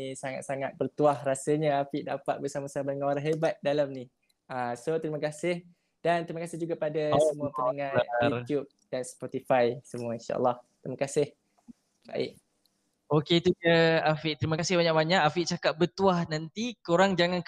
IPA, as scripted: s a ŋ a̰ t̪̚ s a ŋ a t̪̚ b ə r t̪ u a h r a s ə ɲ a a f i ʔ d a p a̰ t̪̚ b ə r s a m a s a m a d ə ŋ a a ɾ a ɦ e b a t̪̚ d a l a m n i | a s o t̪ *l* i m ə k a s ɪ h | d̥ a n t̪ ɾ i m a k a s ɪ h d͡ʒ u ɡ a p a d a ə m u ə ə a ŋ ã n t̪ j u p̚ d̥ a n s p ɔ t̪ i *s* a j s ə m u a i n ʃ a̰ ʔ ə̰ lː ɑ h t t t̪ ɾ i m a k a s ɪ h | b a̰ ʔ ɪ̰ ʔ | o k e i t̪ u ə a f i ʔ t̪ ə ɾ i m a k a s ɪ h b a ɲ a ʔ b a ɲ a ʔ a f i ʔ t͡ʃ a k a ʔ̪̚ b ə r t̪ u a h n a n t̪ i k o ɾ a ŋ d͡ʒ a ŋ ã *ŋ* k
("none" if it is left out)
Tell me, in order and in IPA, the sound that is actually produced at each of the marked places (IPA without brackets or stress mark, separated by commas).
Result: ɾ, f, n